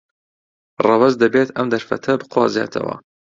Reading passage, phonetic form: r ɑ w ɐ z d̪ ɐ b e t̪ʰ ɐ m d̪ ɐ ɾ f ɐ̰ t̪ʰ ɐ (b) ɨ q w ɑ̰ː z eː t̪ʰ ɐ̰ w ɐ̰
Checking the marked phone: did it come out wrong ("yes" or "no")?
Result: no